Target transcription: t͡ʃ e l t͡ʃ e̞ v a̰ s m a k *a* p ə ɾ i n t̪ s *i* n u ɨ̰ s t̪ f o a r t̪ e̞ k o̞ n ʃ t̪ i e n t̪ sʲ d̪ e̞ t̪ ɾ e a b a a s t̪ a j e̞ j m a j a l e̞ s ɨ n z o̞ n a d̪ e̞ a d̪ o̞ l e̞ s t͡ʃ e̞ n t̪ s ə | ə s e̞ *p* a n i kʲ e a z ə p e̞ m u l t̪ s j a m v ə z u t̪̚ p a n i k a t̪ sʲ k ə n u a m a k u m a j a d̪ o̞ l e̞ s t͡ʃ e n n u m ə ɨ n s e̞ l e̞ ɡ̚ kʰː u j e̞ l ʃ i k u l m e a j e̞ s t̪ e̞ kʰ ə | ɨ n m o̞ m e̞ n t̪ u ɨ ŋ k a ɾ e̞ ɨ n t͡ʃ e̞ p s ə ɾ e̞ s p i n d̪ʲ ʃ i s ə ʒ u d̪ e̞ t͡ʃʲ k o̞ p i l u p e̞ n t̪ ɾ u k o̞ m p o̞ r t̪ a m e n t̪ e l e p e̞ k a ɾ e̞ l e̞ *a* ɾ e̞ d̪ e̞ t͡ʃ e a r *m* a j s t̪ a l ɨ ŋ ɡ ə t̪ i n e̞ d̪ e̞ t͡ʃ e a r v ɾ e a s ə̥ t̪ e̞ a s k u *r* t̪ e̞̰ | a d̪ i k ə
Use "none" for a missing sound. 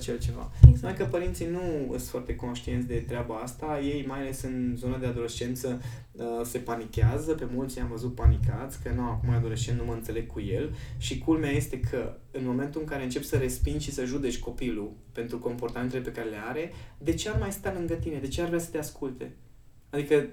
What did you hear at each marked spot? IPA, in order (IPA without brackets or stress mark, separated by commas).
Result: ə, i, p, a, m, l